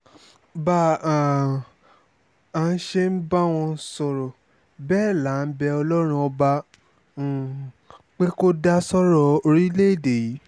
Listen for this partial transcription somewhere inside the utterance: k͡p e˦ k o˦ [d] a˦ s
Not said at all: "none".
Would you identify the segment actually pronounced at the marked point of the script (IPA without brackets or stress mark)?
d